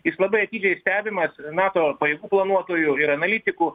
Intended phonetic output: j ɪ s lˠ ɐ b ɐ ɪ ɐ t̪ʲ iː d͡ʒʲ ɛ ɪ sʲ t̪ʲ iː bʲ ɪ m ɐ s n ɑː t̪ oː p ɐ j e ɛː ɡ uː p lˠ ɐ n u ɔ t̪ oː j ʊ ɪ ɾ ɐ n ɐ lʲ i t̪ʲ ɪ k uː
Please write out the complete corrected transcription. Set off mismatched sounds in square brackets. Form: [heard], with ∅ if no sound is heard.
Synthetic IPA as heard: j ɪ s lˠ ɐ b ɐ ɪ ɐ t̪ʲ iː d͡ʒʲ ɛ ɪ sʲ t̪ʲ [æː] bʲ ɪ m ɐ s n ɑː t̪ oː p ɐ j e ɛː ɡ uː p lˠ ɐ n u ɔ t̪ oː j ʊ ɪ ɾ ɐ n ɐ lʲ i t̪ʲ ɪ k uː